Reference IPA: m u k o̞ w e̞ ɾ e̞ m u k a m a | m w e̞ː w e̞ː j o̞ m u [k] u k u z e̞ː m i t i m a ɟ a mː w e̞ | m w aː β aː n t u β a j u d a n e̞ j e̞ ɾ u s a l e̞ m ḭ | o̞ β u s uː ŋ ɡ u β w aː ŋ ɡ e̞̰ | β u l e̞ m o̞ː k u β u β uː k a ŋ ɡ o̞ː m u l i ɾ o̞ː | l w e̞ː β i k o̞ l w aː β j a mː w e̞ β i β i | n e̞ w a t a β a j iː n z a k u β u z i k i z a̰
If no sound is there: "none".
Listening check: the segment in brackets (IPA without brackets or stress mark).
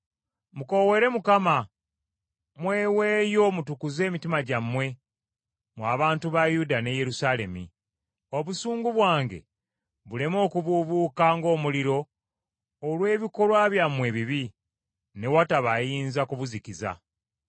t